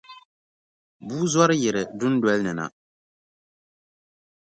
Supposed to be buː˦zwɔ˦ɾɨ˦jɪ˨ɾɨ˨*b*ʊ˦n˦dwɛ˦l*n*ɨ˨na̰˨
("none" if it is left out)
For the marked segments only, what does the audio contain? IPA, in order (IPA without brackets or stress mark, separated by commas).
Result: d, n